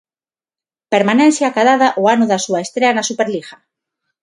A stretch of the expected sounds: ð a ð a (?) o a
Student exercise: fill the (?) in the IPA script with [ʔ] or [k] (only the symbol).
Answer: ʔ